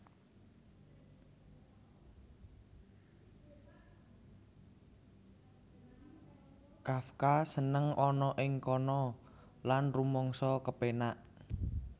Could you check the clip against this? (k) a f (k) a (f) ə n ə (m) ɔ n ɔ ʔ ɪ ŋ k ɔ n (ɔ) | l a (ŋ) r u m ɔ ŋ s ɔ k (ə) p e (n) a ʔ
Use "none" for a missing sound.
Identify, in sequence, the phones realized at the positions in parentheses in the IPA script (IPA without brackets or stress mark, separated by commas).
k, k, s, ŋ, ɔ, n, ə, n